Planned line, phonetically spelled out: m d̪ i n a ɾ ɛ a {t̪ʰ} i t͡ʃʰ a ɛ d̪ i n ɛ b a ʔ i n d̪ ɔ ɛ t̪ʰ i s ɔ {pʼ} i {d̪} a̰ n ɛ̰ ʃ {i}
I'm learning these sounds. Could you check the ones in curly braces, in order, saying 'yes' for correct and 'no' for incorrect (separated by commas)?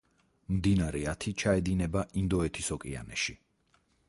yes, no, no, yes